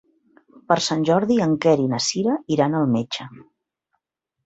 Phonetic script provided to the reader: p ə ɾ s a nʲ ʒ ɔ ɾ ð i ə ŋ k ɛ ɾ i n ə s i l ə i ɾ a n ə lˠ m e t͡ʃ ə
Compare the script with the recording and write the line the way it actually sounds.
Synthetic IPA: p ə ɾ s a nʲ ʒ ɔ ɾ ð i ə ŋ k ɛ ɾ i n ə s i ɾ ə i ɾ a n ə lˠ m e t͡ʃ ə